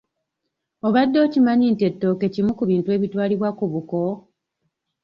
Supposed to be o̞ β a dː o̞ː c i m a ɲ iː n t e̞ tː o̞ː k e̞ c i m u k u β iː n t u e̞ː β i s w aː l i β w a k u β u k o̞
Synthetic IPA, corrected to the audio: o̞ β a dː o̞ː c i m a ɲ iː n t e̞ tː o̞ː k e̞ c i m u k u β iː n t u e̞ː β i t w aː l i β w a k u β u k o̞